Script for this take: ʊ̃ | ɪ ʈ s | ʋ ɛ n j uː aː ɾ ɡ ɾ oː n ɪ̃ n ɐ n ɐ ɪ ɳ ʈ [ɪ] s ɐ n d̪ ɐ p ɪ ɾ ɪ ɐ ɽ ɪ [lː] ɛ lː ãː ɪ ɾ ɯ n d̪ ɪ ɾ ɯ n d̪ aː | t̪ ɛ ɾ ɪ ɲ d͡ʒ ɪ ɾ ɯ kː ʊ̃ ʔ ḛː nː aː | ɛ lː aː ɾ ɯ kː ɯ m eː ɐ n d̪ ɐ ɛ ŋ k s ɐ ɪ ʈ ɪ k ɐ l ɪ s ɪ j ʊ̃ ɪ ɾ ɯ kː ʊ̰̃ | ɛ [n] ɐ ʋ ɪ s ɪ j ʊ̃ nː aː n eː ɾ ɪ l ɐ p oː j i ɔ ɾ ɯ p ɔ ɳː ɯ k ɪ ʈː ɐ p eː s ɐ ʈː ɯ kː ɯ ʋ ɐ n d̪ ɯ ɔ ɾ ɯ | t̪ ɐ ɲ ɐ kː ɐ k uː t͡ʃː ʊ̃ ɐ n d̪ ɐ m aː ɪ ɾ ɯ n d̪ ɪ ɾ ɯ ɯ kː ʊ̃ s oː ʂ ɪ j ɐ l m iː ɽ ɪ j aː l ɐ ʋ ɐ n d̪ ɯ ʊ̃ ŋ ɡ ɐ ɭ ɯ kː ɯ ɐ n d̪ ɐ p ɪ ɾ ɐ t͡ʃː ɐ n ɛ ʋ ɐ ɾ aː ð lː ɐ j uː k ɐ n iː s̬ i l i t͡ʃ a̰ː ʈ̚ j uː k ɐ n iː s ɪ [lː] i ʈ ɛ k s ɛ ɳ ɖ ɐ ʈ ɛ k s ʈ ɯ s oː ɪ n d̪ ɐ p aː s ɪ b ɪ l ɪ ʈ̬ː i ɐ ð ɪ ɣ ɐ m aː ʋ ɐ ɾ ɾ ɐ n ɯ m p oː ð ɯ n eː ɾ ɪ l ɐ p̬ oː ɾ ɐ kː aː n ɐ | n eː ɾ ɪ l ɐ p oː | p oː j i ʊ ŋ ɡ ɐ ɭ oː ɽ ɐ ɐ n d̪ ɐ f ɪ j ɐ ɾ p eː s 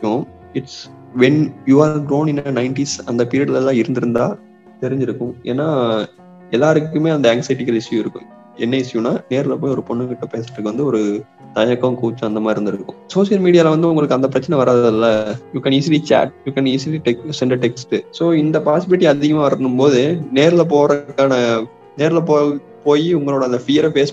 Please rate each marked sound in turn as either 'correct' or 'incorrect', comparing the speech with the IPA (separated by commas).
incorrect, incorrect, incorrect, incorrect